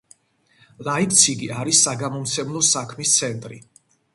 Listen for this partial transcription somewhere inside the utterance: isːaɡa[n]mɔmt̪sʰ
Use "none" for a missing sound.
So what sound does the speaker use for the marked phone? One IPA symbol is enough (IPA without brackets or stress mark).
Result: none